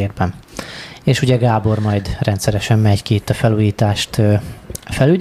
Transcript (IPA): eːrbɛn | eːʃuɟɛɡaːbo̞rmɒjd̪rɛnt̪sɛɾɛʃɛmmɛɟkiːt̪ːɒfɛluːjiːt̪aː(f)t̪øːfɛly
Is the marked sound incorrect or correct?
incorrect